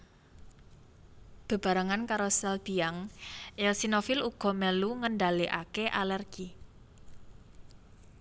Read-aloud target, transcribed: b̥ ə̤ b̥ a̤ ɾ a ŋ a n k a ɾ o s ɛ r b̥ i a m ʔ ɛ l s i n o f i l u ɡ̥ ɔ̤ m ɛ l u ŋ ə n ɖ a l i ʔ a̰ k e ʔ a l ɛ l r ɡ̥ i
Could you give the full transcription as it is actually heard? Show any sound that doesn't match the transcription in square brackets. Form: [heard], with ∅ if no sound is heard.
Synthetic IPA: b̥ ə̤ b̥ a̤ ɾ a ŋ a n k a ɾ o s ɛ [l] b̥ i a [ŋ] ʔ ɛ l s i n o f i l u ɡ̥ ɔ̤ m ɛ l u ŋ ə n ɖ a l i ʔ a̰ k e ʔ a l ɛ [∅] r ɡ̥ i